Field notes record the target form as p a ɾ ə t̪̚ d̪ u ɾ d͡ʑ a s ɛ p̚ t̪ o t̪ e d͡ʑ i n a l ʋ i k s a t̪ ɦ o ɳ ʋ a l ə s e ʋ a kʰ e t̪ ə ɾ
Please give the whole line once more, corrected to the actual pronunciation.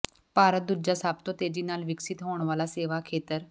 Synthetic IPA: p a ɾ ə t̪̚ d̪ u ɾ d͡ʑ a s a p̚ t̪ o t̪ e d͡ʑ i n a l ʋ i k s i t̪ ɦ o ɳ ʋ a l a s e ʋ a kʰ e t̪ ə ɾ

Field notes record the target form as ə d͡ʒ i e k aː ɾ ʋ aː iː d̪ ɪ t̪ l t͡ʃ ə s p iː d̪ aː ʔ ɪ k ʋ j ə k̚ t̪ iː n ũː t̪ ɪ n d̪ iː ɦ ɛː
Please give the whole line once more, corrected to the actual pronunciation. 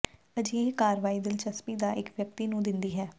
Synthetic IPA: ə d͡ʒ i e k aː ɾ ʋ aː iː d̪ ɪ l t͡ʃ ə s p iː d̪ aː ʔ ɪ k ʋ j ə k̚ t̪ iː n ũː d̪ ɪ n d̪ iː ɦ ɛː

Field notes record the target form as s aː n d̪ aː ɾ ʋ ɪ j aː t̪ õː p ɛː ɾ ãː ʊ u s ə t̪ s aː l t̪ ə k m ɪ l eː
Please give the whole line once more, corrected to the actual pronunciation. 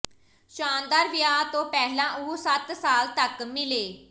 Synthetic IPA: ʃ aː n d̪ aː ɾ ʋ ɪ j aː t̪ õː p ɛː l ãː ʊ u s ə t̪ s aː l t̪ ə k m ɪ l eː

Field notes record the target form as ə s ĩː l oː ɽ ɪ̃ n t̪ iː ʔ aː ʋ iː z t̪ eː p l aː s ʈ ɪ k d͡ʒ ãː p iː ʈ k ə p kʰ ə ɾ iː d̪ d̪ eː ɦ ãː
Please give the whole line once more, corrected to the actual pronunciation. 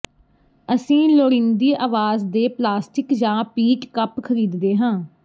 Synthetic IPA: ə s ĩː l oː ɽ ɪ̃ n d̪ iː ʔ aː ʋ aː z d̪ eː p l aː s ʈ ɪ k d͡ʒ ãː p iː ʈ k ə p kʰ ə ɾ iː d̪ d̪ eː ɦ ãː

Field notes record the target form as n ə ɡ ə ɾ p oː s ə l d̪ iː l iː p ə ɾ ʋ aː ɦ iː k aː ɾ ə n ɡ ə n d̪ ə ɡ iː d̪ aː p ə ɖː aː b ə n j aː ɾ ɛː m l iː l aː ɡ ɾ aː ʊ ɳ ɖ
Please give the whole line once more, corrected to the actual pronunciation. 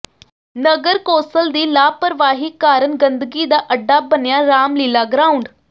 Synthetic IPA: n ə ɡ ə ɾ k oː s ə l d̪ iː l aː p ə ɾ ʋ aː ɦ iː k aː ɾ ə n ɡ ə n d̪ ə ɡ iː d̪ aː ʔ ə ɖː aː b ə n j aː ɾ aː m l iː l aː ɡ ɾ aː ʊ ɳ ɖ

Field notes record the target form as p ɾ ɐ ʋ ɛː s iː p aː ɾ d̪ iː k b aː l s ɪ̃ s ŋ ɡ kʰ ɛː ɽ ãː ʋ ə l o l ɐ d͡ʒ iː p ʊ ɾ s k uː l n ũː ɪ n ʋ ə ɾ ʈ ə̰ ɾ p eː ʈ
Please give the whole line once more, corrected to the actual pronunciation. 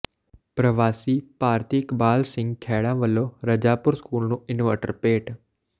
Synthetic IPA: p ɾ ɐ ʋ aː s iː p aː ɾ t̪ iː k b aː l s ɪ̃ ŋ ɡ kʰ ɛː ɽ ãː ʋ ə l o ɾ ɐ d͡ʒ aː p ʊ ɾ s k uː l n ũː ɪ n ʋ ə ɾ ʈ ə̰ ɾ p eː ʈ

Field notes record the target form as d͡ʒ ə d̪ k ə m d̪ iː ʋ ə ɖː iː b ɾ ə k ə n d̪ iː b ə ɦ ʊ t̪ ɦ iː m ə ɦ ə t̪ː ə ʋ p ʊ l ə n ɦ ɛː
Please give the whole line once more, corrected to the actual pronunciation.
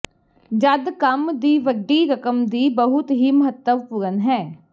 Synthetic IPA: d͡ʒ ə d̪ k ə m d̪ iː ʋ ə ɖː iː ɾ ə k ə m d̪ iː b ə ɦ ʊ t̪ ɦ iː m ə ɦ ə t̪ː ə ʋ p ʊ ɾ ə n ɦ ɛː

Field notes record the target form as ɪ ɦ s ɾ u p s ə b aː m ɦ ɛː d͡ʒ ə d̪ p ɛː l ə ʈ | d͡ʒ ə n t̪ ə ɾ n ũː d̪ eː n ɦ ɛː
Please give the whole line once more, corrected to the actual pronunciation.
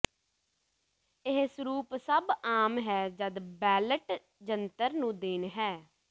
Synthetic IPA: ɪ ɦ s ɾ uː p s ə b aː m ɦ ɛː d͡ʒ ə d̪ b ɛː l ə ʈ | d͡ʒ ə n t̪ ə ɾ n ũː d̪ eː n ɦ ɛː

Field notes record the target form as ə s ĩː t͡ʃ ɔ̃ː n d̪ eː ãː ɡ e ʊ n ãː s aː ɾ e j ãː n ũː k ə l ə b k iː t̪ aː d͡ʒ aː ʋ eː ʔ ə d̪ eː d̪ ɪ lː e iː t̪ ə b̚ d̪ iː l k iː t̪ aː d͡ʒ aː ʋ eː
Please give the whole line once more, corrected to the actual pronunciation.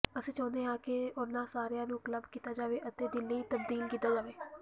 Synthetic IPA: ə s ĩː t͡ʃ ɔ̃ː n d̪ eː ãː k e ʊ n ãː s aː ɾ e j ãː n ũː k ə l ə b k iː t̪ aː d͡ʒ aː ʋ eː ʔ ə t̪ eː d̪ ɪ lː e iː t̪ ə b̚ d̪ iː l k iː t̪ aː d͡ʒ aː ʋ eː

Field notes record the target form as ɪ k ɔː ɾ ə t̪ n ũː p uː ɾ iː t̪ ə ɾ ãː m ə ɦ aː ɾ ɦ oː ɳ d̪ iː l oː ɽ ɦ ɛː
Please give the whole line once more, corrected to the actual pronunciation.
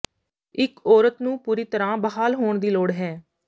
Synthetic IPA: ɪ k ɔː ɾ ə t̪ n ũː p uː ɾ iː t̪ ə ɾ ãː b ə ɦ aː l ɦ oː ɳ d̪ iː l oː ɽ ɦ ɛː

